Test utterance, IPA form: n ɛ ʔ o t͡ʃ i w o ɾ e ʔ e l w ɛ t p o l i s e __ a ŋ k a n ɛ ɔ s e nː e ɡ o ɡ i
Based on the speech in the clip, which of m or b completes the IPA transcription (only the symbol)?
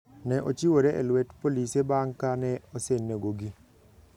b